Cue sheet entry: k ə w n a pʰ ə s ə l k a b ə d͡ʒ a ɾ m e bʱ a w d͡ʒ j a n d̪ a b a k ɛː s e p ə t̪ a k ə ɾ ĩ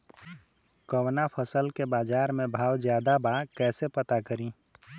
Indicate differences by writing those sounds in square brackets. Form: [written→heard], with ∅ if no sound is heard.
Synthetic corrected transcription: k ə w n a pʰ ə s ə l k [a→e] b [ə→a] d͡ʒ a ɾ m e bʱ a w d͡ʒ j a [n→∅] d̪ a b a k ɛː s e p ə t̪ a k ə ɾ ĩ